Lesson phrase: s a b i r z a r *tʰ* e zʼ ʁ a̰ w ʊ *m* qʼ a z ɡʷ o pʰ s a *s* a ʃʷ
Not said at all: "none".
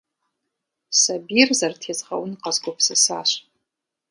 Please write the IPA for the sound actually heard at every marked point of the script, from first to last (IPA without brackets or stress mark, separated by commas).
tʰ, n, s